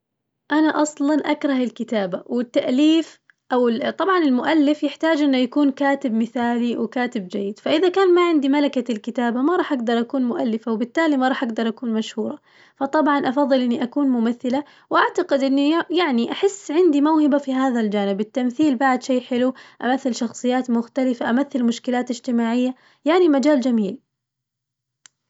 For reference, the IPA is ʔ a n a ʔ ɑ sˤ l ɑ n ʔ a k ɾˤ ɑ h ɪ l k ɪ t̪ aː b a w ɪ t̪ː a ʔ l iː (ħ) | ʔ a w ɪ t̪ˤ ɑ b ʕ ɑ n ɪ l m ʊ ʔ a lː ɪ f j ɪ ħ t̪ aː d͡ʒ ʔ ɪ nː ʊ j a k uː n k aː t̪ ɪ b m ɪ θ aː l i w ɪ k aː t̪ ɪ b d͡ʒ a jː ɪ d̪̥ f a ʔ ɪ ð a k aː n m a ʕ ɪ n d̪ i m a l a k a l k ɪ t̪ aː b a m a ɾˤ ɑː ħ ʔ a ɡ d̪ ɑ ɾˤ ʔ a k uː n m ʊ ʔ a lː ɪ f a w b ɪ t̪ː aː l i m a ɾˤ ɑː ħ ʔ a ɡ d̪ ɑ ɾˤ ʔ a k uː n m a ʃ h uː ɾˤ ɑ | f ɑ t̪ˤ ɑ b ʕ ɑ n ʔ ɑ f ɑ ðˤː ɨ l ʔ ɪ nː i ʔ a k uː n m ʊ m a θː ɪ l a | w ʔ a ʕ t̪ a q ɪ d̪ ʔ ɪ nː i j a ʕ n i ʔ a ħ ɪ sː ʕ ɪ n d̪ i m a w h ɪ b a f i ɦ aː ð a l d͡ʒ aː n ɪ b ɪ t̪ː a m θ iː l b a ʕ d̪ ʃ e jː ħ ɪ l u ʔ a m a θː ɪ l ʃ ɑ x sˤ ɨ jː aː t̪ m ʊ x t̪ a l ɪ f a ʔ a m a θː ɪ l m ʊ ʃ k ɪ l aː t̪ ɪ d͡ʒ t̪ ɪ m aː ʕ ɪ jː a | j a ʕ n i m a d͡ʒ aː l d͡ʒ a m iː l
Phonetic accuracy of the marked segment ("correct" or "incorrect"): incorrect